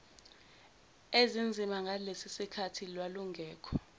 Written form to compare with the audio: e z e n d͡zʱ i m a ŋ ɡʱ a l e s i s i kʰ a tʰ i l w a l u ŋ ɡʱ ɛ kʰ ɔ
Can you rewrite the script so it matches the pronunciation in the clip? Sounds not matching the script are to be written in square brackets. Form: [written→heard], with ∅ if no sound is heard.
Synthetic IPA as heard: e z [e→i] n d͡zʱ i m a ŋ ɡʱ a l e s i s i kʰ a tʰ i l w a l u ŋ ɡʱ [ɛ→ɛː] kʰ ɔ

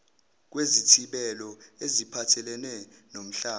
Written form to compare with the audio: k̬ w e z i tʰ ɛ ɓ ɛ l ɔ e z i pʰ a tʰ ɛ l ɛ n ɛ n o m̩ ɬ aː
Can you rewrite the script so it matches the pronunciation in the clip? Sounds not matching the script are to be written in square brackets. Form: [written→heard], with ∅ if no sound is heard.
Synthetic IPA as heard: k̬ w e z i tʰ [ɛ→i] ɓ ɛ l ɔ e z i pʰ a tʰ ɛ l ɛ n ɛ n o m̩ ɬ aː

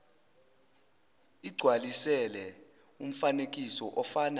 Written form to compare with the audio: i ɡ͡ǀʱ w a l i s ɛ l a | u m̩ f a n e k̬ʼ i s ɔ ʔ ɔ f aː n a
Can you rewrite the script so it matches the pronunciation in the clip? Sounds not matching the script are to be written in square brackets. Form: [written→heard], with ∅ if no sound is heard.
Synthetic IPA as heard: i ɡ͡ǀʱ w a l i s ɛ l [a→ɛ] | u m̩ f a n e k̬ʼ i s ɔ ʔ ɔ f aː n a

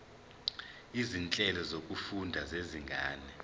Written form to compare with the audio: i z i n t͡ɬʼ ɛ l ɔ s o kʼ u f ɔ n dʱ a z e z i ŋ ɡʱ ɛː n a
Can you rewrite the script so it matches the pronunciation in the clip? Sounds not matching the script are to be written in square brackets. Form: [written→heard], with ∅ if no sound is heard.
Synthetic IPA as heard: i z i n t͡ɬʼ ɛ l ɔ [s→z] o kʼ u f [ɔ→u] n dʱ a z e z i ŋ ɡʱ [ɛː→aː] n [a→ɛ]

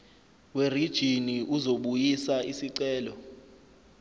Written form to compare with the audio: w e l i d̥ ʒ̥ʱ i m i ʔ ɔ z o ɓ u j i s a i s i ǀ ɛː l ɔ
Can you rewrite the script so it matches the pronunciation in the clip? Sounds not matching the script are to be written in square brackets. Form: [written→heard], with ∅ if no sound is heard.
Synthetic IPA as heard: w e [l→r] i d̥ ʒ̥ʱ i [m→n] i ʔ [ɔ→u] z o ɓ u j i s a i s i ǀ ɛː l ɔ

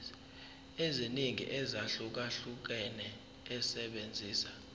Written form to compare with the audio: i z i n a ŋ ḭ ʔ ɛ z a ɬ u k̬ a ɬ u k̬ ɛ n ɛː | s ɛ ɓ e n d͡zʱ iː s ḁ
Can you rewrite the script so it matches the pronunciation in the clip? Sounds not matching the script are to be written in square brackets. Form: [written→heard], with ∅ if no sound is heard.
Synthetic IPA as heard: [i→e] z i n [a→i] ŋ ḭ ʔ ɛ z a ɬ u k̬ a ɬ u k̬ ɛ n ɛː | s ɛ ɓ e n d͡zʱ iː s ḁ

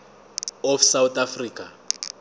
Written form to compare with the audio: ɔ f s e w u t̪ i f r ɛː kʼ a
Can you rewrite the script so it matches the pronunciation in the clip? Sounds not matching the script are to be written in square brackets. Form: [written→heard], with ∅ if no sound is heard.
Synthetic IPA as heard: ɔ f s [e→a] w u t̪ [i→a] f r [ɛː→iː] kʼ a

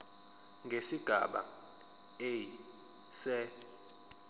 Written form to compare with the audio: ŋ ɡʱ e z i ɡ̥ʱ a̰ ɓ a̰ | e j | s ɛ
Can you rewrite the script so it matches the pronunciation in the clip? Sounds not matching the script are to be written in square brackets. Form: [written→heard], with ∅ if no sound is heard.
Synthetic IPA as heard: ŋ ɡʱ e [z→s] i ɡ̥ʱ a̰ ɓ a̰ | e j | s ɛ

